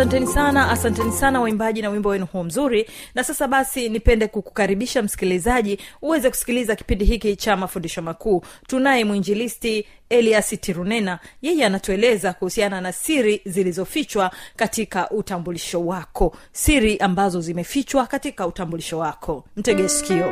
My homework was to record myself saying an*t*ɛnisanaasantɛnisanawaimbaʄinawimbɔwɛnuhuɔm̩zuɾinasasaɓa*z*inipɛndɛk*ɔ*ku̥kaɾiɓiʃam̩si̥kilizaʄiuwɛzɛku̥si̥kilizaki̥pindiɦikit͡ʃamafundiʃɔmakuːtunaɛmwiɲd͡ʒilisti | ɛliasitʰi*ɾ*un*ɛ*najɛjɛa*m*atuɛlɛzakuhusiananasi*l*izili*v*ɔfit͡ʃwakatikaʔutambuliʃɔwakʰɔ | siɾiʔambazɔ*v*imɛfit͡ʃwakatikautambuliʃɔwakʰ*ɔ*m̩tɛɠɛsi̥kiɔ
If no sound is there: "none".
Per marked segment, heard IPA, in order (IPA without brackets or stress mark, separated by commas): t, s, u, ɾ, ɛ, n, ɾ, z, z, ɔ